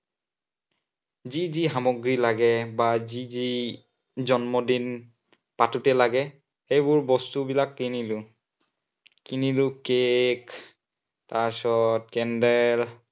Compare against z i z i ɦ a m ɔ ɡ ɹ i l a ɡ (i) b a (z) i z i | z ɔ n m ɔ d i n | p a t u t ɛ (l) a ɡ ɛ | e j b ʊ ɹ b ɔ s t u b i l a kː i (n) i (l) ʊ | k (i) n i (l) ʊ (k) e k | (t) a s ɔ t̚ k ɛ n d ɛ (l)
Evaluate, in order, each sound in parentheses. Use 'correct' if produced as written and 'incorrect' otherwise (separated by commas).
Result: incorrect, correct, correct, correct, correct, correct, correct, correct, correct, correct